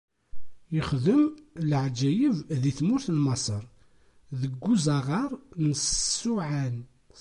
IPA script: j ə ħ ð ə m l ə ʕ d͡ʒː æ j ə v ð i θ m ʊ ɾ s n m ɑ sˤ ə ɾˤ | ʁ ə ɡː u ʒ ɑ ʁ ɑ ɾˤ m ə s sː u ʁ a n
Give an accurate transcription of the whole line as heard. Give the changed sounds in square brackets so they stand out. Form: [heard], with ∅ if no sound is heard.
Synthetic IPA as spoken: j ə [χ] ð ə m l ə ʕ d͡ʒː æ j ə v ð i θ m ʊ ɾ [θ] n m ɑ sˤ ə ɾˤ | [ð] ə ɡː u [z] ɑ ʁ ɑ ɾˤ [n] ə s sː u [ʕ] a n